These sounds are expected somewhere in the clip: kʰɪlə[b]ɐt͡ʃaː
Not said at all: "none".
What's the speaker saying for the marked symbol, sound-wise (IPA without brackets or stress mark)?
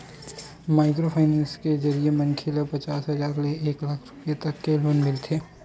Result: p